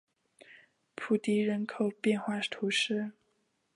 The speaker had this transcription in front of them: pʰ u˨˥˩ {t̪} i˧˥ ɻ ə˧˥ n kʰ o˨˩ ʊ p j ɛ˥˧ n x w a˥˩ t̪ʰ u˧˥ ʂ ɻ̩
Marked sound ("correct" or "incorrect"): correct